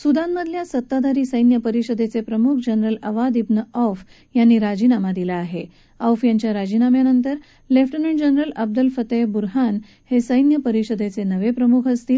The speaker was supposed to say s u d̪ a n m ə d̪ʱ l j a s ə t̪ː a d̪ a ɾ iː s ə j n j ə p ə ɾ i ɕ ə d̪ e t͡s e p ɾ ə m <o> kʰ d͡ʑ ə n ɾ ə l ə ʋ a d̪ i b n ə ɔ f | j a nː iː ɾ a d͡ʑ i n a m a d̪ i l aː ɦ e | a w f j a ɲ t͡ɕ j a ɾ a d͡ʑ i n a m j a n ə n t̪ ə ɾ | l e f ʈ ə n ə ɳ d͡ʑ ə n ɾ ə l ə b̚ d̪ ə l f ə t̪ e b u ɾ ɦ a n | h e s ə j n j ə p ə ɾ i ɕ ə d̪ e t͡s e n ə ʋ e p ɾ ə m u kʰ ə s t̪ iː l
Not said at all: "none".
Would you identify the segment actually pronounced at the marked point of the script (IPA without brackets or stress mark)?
u